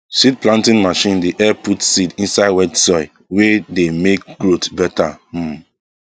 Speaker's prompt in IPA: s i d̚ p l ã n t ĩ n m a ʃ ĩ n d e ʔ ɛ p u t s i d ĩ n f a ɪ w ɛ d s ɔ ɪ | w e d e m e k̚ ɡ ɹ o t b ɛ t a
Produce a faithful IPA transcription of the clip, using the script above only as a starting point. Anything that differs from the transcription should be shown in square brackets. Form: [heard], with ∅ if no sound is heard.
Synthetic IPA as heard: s i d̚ p l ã n t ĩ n m a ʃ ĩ n d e ʔ ɛ p u t s i d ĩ n [s] a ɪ w ɛ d s ɔ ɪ | w e d e m e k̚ ɡ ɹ o t b ɛ t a